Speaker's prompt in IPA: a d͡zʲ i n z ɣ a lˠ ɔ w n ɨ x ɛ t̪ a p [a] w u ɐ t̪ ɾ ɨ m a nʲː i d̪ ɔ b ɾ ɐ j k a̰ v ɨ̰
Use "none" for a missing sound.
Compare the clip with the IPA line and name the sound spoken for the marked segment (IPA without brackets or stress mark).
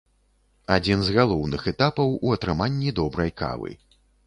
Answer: ɐ